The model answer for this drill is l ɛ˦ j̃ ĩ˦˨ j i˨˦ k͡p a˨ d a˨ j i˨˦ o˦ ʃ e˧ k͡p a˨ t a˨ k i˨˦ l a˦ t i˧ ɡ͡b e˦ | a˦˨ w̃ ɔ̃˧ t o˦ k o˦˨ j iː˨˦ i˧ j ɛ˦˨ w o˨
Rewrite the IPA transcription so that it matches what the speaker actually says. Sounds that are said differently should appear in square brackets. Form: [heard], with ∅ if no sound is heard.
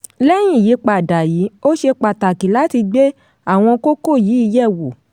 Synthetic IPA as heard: l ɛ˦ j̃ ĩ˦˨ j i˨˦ k͡p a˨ d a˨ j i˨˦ o˦ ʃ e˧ k͡p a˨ t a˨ k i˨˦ l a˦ t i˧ ɡ͡b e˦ | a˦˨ w̃ ɔ̃˧ [k] o˦ k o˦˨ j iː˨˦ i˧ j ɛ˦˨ w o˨

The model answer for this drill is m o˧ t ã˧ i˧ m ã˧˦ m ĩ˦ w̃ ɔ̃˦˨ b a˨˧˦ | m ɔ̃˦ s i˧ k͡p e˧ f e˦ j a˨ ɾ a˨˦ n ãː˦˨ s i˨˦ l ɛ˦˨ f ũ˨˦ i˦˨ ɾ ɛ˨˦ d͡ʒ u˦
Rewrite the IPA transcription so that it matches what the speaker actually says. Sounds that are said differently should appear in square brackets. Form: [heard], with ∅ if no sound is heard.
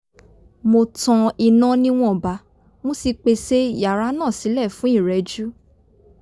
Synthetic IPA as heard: m o˧ t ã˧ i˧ [n] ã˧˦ [n] ĩ˦ w̃ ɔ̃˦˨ b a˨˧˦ | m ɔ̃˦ s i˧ k͡p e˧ [s] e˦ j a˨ ɾ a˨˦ n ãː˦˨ s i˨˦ l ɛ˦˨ f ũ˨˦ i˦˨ ɾ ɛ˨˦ d͡ʒ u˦

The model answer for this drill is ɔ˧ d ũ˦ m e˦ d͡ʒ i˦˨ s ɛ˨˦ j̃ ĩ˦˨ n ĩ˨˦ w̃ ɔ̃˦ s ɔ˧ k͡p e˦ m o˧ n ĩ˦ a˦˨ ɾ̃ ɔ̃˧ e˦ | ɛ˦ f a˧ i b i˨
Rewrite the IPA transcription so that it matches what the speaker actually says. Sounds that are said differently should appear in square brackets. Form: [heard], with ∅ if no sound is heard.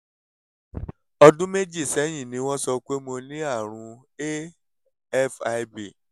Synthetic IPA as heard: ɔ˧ d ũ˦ m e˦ d͡ʒ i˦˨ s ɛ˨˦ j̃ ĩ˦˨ n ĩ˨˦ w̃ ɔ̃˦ s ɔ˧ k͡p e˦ m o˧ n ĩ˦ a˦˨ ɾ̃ [ũ˧] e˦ | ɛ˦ f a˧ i b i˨

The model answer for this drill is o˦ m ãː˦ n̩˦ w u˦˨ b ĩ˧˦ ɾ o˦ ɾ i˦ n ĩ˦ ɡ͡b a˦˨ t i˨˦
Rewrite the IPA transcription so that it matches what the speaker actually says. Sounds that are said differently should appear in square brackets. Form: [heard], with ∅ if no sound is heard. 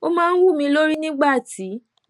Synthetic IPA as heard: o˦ m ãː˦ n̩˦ w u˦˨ [m] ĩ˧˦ [l] o˦ ɾ i˦ n ĩ˦ ɡ͡b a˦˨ t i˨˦

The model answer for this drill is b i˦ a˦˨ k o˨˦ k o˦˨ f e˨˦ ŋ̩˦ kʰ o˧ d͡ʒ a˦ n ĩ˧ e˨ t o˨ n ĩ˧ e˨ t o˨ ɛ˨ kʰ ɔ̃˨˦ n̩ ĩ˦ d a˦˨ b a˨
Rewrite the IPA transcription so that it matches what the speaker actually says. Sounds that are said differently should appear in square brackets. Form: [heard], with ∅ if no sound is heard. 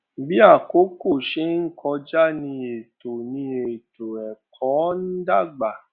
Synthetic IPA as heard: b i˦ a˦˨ k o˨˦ k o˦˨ [ʃ] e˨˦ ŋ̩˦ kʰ [ɔ˧] d͡ʒ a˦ n ĩ˧ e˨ t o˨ n ĩ˧ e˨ t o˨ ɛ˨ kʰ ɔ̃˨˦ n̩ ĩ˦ d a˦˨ [ɡ͡b] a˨

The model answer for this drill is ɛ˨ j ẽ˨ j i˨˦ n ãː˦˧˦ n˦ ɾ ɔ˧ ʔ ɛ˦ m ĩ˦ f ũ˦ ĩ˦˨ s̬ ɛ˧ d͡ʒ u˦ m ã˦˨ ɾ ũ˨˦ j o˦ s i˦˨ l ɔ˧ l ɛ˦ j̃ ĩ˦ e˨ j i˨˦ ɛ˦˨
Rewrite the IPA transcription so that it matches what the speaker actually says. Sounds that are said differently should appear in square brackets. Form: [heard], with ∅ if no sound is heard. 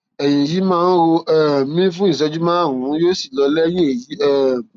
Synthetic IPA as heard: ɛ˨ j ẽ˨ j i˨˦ [m] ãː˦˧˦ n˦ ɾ [o˧] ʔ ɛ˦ m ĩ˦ f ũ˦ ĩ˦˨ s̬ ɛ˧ d͡ʒ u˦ m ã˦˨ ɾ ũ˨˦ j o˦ s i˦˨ l ɔ˧ l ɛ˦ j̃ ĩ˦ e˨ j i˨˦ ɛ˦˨

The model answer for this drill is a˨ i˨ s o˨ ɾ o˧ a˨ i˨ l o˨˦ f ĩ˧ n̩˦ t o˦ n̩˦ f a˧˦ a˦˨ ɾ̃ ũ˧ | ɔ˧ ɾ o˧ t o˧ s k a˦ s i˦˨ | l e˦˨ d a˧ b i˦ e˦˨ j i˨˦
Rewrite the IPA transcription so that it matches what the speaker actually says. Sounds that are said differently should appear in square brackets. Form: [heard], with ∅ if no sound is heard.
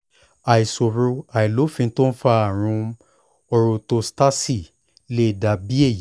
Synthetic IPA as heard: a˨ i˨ s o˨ ɾ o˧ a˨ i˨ l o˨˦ f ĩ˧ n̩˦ t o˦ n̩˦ f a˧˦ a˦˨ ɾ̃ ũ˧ | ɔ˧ ɾ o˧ t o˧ s [t] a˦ s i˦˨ | l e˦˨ d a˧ b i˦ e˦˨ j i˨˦

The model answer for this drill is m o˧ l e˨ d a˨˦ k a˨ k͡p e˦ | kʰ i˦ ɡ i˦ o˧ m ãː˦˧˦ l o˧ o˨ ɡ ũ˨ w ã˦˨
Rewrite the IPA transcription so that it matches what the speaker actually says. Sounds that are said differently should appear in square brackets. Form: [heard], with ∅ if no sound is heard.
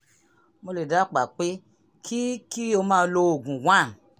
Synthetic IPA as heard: m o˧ l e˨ d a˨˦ [k͡p] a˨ k͡p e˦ | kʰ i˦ [k] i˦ o˧ m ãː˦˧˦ l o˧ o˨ ɡ ũ˨ w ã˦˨

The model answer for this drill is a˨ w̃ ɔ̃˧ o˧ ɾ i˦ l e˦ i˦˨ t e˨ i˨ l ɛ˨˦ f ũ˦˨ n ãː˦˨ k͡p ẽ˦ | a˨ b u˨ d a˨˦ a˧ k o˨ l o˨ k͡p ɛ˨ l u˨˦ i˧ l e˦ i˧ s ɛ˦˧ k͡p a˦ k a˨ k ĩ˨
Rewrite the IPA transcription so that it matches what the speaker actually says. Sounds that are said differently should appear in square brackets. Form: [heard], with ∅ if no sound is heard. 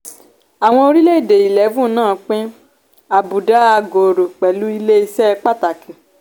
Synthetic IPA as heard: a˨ w̃ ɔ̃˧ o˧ ɾ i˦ l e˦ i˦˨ [d] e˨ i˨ l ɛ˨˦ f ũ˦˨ n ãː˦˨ k͡p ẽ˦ | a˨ b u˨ d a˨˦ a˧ [ɡ] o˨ [ɾ] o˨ k͡p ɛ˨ l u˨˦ i˧ l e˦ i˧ s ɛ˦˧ k͡p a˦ [t] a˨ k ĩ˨

